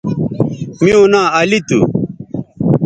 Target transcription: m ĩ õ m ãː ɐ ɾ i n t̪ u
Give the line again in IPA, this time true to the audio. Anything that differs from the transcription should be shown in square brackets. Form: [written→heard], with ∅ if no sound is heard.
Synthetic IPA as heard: m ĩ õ [m→n] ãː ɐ [ɾ→l] i [n→∅] t̪ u